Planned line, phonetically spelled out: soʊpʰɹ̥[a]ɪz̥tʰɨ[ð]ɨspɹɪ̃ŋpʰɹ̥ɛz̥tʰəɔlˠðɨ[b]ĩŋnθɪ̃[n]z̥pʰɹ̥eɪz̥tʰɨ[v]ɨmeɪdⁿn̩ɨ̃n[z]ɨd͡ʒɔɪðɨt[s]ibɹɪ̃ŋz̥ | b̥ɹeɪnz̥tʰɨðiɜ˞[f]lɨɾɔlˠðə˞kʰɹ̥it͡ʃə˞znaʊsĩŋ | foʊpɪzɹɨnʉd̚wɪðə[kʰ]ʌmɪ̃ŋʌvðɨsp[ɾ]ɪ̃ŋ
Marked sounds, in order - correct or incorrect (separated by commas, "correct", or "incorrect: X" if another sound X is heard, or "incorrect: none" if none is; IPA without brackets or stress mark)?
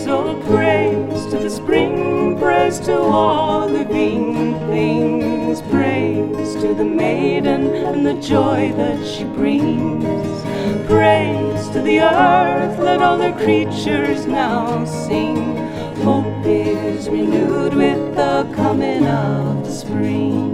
incorrect: e, correct, correct, incorrect: ŋ, incorrect: ð, incorrect: ð, incorrect: ʃ, incorrect: θ, correct, incorrect: ɹ